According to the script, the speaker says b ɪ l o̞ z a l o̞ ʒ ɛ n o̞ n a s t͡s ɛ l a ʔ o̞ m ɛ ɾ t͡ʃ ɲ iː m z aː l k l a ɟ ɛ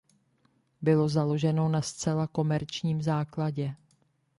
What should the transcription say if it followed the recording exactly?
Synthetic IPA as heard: b ɪ l o̞ z a l o̞ ʒ ɛ n o̞ n a s t͡s ɛ l a k o̞ m ɛ ɾ t͡ʃ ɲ iː m z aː k l a ɟ ɛ